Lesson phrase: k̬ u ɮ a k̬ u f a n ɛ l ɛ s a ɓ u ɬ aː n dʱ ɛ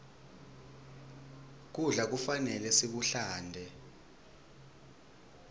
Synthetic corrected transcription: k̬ u ɮ a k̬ u f a n ɛ l ɛ s i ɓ u ɬ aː n dʱ ɛ